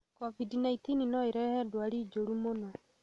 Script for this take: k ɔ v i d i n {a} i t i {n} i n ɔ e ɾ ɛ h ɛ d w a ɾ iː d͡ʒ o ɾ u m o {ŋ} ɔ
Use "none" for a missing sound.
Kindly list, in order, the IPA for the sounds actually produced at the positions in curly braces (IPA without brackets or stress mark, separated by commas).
a, n, n